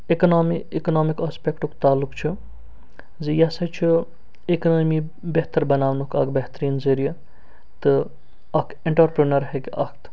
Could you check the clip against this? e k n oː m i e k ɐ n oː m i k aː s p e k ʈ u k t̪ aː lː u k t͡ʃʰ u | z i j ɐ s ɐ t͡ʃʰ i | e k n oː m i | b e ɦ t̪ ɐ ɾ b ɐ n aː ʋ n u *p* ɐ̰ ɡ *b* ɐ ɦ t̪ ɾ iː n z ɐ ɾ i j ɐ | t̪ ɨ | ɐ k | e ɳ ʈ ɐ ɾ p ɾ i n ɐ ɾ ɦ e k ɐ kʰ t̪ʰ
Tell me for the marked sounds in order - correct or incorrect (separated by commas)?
incorrect, correct